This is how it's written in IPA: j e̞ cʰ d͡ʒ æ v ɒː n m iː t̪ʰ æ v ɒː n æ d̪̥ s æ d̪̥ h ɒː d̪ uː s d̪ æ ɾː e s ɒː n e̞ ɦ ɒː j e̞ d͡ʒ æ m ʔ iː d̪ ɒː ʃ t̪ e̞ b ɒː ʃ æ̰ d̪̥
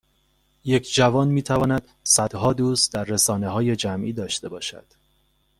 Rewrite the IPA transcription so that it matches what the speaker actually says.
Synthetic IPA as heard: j e̞ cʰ d͡ʒ æ v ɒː n m iː t̪ʰ æ v ɒː n æ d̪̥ s æ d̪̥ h ɒː d̪ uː s d̪ æ ɾː e s ɒː n e̞ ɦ ɒː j e̞ d͡ʒ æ m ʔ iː d̪ ɒː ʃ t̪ e̞ b ɒː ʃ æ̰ d̪̥